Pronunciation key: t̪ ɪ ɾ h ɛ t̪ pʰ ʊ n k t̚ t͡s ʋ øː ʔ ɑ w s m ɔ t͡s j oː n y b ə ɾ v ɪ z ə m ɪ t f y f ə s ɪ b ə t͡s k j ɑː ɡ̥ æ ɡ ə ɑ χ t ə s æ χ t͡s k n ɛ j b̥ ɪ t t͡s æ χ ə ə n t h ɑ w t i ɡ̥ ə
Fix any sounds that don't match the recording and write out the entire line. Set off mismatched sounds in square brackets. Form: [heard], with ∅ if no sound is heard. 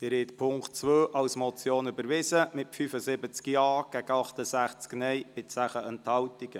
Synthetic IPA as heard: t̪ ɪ ɾ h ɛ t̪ pʰ ʊ [ŋ] k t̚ t͡s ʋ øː ʔ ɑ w s m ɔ t͡s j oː n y b ə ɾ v ɪ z ə m ɪ t f y f ə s ɪ b ə t͡s k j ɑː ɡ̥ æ ɡ ə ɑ χ t ə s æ χ t͡s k n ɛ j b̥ ɪ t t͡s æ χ ə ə n t h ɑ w t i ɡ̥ ə

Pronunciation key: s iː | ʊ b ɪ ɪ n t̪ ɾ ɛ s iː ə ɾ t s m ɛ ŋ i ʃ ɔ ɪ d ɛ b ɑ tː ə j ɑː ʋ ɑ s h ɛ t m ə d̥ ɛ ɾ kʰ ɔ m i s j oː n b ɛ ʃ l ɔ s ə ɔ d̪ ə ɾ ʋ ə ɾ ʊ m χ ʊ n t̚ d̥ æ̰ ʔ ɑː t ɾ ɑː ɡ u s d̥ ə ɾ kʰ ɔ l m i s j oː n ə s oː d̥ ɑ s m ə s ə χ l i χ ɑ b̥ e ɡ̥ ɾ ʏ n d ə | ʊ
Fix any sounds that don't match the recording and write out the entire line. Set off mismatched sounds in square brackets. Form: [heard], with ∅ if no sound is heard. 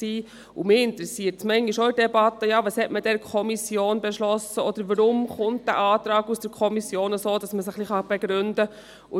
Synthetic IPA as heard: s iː | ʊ [m] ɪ ɪ n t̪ ɾ ɛ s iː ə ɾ t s m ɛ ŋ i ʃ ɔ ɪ d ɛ b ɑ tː ə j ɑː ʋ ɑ s h ɛ t m ə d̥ ɛ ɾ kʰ ɔ m i s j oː n b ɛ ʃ l ɔ s ə ɔ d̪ ə ɾ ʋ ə ɾ ʊ m χ ʊ n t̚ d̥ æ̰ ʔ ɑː t ɾ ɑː ɡ u s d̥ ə ɾ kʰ ɔ [∅] m i s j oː n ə s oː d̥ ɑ s m ə s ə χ l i χ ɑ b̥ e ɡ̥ ɾ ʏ n d ə | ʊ

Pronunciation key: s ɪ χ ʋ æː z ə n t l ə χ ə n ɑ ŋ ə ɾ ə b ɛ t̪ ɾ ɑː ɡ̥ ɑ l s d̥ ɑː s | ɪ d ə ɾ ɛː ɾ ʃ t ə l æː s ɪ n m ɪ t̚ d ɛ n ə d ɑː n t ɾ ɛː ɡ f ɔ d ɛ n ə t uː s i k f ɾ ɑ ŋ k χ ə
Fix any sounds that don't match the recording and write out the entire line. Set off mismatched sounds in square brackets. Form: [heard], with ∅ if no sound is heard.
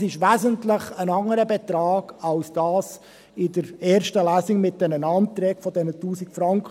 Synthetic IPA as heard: s ɪ [ʃ] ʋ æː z ə n t l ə χ ə n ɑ ŋ ə ɾ ə b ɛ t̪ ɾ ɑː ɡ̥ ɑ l s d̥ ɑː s | ɪ d ə ɾ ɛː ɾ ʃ t ə l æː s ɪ [ŋ] m ɪ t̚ d ɛ n ə [n] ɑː n t ɾ ɛː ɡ f ɔ d ɛ n ə t uː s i k f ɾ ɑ ŋ k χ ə

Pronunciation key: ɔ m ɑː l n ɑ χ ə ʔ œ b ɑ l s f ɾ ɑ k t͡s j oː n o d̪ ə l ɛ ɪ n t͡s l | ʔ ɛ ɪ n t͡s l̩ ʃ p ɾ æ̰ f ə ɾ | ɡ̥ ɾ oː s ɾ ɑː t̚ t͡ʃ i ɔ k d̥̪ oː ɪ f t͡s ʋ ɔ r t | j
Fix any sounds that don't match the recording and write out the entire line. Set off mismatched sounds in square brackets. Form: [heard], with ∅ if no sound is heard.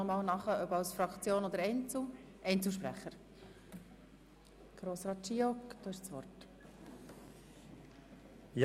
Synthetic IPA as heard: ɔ m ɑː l n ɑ χ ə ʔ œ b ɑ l s f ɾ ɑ k t͡s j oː n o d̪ ə [ɾ] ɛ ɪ n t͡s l | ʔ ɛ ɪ n t͡s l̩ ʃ p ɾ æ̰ [χ] ə ɾ | ɡ̥ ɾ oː s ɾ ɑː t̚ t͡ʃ i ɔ k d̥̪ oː ɪ [ʃ] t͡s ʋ ɔ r t | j

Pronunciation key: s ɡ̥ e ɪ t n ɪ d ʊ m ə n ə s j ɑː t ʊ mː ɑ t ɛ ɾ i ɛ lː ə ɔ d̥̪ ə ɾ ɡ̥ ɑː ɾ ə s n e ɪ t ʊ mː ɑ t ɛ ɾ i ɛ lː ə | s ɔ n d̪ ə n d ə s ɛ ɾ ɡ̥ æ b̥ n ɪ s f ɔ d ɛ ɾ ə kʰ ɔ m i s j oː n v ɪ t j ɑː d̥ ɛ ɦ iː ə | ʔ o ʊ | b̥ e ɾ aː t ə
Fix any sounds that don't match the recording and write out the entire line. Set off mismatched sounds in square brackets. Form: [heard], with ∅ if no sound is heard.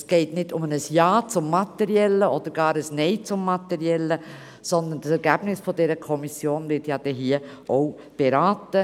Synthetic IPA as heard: s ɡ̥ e ɪ t n ɪ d ʊ m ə n ə s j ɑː [t͡s] ʊ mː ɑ t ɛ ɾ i ɛ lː ə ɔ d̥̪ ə ɾ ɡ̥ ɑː ɾ ə s n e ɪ [t͡s] ʊ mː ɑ t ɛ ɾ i ɛ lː ə | s ɔ n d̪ ə n d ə s ɛ ɾ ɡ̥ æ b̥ n ɪ s f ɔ d ɛ ɾ ə kʰ ɔ m i s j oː n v ɪ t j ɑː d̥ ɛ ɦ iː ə | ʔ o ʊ | b̥ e ɾ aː t ə

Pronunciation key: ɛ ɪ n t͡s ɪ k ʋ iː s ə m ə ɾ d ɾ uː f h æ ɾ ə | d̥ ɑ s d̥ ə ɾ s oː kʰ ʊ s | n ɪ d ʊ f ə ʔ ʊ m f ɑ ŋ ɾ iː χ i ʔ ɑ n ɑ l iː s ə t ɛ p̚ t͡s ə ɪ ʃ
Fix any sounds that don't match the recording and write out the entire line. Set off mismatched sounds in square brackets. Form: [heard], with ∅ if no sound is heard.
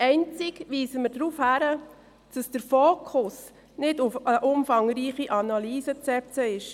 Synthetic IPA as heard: ɛ ɪ n t͡s ɪ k ʋ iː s ə m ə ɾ d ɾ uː f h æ ɾ ə | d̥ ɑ s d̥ ə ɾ [f] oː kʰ ʊ s | n ɪ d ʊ f ə ʔ ʊ m f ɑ ŋ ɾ iː χ i ʔ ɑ n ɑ l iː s ə [t͡s] ɛ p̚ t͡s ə ɪ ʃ

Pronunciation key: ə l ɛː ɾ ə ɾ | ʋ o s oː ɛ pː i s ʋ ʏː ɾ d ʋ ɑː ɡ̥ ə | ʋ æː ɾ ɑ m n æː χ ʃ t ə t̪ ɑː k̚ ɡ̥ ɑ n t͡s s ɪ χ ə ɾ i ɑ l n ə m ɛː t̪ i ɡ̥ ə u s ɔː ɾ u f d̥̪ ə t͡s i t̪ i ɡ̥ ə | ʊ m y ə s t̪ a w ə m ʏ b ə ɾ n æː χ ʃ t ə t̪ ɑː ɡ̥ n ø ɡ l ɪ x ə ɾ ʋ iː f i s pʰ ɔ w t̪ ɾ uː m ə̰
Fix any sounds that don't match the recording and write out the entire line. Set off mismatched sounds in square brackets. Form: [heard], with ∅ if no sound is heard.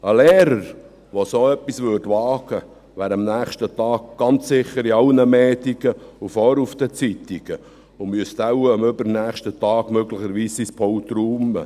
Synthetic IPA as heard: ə l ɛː ɾ ə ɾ | ʋ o s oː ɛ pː i s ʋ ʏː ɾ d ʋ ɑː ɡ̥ ə | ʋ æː ɾ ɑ m n æː χ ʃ t ə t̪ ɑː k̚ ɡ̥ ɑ n t͡s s ɪ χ ə ɾ i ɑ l n ə m ɛː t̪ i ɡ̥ ə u [f] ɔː ɾ u f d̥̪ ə t͡s i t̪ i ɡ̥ ə | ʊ m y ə s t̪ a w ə m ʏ b ə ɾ n æː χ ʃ t ə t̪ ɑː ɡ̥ [m] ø ɡ l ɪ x ə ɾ ʋ iː [s] i s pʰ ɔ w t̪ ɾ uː m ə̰

